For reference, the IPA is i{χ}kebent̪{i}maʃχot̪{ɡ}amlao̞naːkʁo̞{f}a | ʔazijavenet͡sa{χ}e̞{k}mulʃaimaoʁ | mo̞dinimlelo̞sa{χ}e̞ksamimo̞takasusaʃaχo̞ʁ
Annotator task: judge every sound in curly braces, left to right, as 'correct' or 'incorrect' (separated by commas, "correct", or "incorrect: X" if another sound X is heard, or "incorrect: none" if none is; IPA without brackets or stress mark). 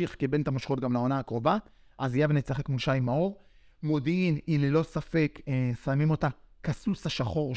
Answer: correct, incorrect: a, correct, incorrect: v, correct, correct, incorrect: f